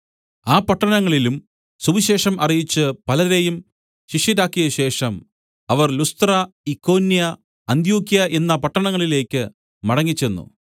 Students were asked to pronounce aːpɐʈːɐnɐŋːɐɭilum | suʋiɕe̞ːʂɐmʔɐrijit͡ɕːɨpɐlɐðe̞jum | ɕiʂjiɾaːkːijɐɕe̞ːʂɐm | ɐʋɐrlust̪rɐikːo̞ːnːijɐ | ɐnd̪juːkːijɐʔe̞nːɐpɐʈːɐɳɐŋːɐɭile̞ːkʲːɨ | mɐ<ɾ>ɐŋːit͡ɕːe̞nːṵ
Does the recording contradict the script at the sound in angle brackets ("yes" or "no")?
yes